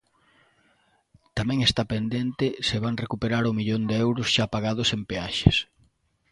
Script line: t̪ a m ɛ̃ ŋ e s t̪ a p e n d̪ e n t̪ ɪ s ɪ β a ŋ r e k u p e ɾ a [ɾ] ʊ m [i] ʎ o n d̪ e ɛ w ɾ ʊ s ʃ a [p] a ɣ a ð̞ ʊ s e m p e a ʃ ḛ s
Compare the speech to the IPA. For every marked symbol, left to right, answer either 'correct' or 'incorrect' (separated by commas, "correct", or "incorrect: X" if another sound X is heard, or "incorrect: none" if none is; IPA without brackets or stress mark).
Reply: correct, correct, correct